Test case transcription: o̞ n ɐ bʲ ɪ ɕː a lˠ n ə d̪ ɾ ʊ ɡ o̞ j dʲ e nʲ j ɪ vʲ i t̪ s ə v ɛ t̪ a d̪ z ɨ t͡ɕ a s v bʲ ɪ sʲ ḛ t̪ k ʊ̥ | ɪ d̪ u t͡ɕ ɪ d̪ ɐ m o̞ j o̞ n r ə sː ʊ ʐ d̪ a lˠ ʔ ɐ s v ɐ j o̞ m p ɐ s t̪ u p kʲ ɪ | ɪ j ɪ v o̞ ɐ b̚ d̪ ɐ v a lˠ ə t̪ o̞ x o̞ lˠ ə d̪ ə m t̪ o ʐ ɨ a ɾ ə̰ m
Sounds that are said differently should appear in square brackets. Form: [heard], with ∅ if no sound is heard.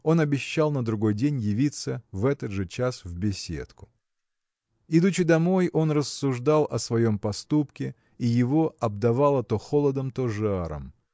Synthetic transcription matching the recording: o̞ n ɐ bʲ ɪ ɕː a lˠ n ə d̪ ɾ ʊ ɡ o̞ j dʲ e nʲ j ɪ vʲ i t̪ s ə v ɛ t̪ [ə] d̪ [ʐ] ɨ t͡ɕ a s v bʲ ɪ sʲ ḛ t̪ k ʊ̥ | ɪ d̪ u t͡ɕ ɪ d̪ ɐ m o̞ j o̞ n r ə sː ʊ ʐ d̪ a lˠ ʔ ɐ s v ɐ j o̞ m p ɐ s t̪ u p kʲ ɪ | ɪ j ɪ v o̞ ɐ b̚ d̪ ɐ v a lˠ ə t̪ o̞ x o̞ lˠ ə d̪ ə m t̪ o ʐ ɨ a ɾ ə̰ m